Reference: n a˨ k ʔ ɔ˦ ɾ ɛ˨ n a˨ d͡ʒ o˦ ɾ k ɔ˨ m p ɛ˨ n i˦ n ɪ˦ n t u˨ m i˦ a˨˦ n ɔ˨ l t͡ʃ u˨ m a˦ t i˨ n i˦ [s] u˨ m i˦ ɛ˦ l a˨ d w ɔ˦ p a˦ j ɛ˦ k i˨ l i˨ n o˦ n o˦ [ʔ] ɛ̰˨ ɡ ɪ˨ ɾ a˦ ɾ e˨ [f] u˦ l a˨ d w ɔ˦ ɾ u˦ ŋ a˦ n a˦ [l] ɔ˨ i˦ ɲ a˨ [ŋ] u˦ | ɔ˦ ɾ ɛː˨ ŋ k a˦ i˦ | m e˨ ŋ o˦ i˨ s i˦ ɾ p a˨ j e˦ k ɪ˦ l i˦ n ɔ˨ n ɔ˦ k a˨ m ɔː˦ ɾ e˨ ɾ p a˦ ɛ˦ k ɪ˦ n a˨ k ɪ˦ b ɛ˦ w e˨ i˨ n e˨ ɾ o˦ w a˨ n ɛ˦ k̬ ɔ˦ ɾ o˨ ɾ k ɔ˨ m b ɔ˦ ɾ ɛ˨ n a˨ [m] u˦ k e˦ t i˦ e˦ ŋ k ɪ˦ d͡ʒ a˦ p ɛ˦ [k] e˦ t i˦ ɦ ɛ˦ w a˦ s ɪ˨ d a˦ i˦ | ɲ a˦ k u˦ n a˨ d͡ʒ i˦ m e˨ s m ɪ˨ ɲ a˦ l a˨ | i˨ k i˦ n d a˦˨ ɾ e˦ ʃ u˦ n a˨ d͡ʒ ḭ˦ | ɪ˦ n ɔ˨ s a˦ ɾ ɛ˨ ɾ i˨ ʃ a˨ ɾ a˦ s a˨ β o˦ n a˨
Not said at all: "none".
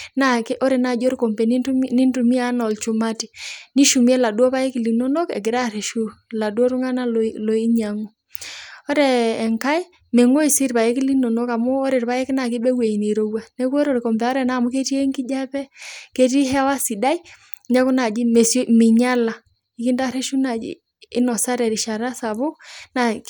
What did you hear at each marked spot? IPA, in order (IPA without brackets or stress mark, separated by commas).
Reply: ʃ, k, ʃ, l, ŋ, m, k